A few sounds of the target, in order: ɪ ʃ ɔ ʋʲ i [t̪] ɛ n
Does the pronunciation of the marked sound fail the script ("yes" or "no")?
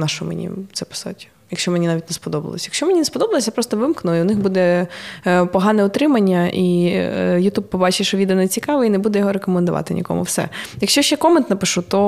yes